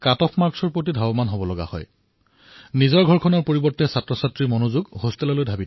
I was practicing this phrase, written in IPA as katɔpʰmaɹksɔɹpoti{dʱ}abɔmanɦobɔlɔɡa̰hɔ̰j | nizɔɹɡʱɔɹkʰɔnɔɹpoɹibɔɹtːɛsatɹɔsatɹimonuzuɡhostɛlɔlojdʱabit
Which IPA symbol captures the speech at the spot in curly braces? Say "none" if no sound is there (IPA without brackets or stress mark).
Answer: dʱ